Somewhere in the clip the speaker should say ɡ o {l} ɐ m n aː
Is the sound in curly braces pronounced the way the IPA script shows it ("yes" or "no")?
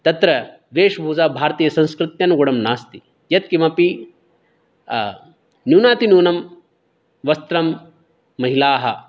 no